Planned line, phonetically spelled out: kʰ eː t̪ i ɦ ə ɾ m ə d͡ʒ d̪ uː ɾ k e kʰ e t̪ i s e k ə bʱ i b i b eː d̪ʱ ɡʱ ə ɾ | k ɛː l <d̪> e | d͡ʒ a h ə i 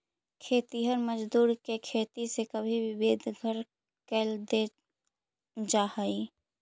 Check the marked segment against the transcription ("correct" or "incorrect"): correct